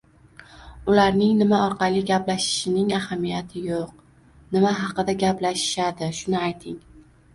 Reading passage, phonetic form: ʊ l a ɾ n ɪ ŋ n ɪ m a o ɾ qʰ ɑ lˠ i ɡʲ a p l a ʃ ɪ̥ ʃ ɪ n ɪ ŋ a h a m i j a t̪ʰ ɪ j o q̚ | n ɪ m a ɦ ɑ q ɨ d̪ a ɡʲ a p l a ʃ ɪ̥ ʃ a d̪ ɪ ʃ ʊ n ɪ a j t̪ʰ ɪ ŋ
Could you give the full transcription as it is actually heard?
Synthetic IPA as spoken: ʊ l a ɾ n ɪ ŋ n ɪ m a ɒ ɾ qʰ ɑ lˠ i ɡʲ a p l a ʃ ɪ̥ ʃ ɪ n ɪ ŋ a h a m i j a t̪ʰ ɪ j o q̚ | n ɪ m a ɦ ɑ q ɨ d̪ a ɡʲ a p l a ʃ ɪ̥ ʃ a d̪ ɪ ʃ ʊ n ɪ a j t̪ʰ ɪ ŋ